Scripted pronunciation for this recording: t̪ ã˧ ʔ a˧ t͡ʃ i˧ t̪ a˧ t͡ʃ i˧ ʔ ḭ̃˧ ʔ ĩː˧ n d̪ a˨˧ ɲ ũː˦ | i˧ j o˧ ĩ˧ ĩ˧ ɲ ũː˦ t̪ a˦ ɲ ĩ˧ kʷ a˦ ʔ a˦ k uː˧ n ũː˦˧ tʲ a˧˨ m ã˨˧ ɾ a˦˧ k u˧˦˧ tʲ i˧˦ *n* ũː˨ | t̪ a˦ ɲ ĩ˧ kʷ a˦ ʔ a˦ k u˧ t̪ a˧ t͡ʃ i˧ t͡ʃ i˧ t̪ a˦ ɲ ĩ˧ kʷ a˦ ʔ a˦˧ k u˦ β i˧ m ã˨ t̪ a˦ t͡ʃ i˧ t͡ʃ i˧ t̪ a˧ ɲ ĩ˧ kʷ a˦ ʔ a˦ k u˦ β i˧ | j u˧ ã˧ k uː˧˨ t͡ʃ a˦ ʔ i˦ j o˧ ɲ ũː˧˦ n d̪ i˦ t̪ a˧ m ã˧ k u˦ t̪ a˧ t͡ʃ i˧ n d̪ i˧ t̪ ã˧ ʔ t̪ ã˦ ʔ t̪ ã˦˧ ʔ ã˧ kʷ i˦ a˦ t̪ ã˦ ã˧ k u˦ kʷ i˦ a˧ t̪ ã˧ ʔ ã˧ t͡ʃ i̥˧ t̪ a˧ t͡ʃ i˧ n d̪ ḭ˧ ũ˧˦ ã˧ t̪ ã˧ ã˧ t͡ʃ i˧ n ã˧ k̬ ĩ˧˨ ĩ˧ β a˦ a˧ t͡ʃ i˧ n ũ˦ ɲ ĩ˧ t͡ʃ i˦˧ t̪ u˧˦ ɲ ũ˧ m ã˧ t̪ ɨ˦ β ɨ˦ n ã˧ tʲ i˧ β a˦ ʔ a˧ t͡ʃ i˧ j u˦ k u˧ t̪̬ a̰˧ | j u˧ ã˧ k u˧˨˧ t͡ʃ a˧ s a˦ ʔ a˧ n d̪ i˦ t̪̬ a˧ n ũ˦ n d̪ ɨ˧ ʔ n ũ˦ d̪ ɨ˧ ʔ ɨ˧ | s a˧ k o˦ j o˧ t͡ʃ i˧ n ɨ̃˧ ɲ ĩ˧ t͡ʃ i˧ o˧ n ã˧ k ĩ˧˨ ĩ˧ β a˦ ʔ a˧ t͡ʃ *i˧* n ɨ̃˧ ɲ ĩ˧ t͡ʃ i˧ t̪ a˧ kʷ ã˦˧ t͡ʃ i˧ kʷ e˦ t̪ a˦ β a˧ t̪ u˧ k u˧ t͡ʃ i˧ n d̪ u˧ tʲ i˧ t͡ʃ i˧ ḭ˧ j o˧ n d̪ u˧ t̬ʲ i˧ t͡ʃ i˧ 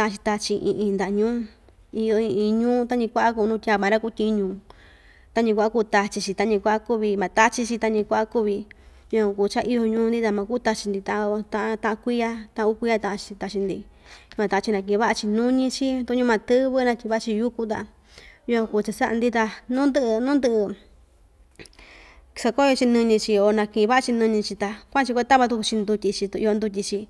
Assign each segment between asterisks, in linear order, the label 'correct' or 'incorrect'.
incorrect: ɲ, correct

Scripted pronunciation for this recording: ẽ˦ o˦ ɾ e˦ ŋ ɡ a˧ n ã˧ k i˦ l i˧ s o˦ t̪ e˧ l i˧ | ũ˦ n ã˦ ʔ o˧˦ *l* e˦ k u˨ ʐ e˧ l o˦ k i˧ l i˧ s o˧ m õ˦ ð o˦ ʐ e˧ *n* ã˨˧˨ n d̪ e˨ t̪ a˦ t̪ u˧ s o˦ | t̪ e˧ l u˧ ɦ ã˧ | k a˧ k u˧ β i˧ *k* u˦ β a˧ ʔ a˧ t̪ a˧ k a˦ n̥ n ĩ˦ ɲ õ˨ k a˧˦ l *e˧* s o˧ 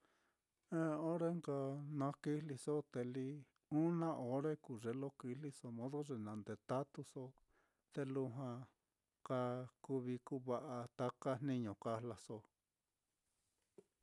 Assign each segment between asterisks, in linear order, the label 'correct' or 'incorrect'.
incorrect: ɾ, correct, correct, incorrect: a˧

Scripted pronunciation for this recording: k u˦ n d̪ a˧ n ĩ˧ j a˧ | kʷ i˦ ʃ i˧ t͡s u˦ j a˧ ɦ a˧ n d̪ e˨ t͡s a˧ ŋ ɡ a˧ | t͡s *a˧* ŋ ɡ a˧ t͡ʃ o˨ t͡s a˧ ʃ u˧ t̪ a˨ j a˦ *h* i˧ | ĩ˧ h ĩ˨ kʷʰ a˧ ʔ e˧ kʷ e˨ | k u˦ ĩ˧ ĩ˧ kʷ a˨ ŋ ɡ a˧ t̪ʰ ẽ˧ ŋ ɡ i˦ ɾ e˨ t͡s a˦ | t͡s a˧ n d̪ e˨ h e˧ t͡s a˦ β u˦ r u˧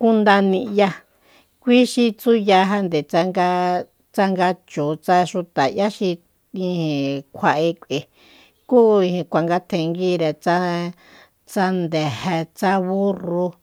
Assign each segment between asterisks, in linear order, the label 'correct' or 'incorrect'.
correct, incorrect: ʃ

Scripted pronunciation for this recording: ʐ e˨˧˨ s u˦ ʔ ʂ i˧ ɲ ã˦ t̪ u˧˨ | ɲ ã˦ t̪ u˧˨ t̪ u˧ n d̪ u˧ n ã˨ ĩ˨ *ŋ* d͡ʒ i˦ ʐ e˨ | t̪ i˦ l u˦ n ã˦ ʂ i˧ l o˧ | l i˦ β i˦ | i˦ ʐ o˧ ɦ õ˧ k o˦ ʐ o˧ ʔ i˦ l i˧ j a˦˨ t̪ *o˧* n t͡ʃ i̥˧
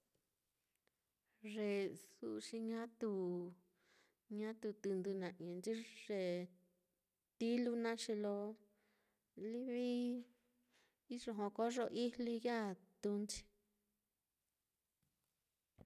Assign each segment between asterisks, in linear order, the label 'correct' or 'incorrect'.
incorrect: n, incorrect: u˧

